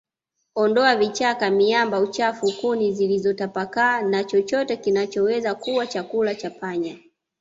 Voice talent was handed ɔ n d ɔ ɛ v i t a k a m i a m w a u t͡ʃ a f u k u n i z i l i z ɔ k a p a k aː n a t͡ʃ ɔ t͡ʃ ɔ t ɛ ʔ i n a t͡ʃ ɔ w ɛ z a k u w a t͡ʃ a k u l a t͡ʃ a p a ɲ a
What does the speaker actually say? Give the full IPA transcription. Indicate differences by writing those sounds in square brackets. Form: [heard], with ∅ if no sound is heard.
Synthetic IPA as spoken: ɔ n d ɔ [a] v i [t͡ʃ] a k a m i a m [b] a u t͡ʃ a f u k u n i z i l i z ɔ [t] a p a k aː n a t͡ʃ ɔ t͡ʃ ɔ t ɛ [k] i n a t͡ʃ ɔ w ɛ z a k u w a t͡ʃ a k u l a t͡ʃ a p a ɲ a